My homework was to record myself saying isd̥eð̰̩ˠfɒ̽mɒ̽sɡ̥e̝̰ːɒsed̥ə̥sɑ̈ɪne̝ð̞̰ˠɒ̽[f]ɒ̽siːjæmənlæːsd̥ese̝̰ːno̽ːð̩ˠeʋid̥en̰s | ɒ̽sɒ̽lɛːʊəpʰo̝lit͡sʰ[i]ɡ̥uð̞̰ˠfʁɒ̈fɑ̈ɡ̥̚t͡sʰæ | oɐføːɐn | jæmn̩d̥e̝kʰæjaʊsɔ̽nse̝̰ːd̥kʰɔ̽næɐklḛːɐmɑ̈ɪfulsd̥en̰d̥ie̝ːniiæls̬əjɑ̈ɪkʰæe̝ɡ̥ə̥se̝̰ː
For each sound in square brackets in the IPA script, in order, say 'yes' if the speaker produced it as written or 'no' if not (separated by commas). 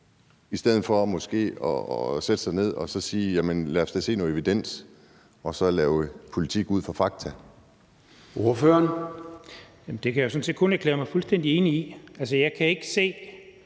no, yes